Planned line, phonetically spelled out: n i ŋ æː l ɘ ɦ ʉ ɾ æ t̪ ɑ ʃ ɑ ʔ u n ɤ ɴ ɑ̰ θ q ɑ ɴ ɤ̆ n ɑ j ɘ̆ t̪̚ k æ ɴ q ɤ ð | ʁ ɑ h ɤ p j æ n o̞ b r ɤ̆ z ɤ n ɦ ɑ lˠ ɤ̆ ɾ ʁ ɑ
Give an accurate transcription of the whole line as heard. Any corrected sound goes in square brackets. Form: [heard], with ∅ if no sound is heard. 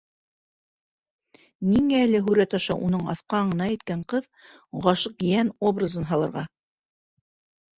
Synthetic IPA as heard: n i ŋ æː l ɘ ɦ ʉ ɾ æ t̪ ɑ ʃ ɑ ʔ u n ɤ ɴ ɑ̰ θ q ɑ ɴ ɤ̆ n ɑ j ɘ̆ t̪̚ k æ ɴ q ɤ ð | ʁ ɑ [ʃ] ɤ [q] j æ n o̞ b r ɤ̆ z ɤ n ɦ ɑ lˠ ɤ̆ ɾ ʁ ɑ